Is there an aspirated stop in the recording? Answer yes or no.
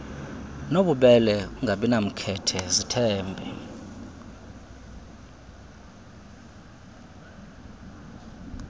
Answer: yes